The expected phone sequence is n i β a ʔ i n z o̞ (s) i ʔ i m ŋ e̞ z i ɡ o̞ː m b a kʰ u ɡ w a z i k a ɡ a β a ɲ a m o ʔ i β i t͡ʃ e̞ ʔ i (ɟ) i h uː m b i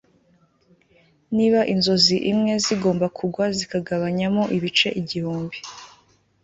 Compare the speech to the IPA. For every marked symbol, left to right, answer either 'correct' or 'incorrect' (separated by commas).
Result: incorrect, correct